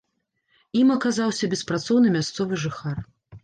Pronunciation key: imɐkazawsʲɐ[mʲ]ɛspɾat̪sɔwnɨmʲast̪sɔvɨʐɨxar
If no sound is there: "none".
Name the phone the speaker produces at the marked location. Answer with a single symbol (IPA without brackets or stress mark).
bʲ